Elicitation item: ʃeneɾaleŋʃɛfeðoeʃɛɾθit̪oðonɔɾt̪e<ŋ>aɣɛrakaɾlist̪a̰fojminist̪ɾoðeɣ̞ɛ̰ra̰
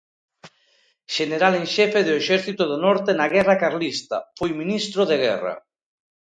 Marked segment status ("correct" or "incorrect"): incorrect